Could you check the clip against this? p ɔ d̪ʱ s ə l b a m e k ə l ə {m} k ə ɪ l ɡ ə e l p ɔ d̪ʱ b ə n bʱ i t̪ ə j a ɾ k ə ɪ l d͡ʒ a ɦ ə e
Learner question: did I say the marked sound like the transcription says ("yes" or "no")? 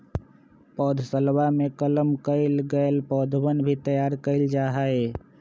yes